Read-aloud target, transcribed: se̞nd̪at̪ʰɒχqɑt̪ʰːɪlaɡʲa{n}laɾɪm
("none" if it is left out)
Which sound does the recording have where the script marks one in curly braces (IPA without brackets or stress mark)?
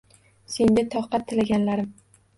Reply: n